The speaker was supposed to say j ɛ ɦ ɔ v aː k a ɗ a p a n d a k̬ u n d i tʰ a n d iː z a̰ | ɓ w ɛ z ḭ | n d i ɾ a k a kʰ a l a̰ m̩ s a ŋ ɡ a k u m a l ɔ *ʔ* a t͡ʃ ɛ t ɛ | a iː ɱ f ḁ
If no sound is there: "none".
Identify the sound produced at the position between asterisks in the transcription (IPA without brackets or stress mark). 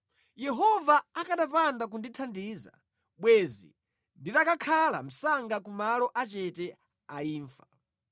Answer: ʔ